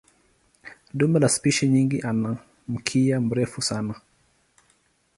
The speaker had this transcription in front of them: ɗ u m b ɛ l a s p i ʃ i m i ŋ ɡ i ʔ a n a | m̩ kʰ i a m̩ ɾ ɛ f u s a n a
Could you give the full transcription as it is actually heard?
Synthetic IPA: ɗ u m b ɛ l a s p i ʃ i ɲ i ŋ ɡ i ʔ a n a | m̩ kʰ i a m̩ ɾ ɛ f u s a n a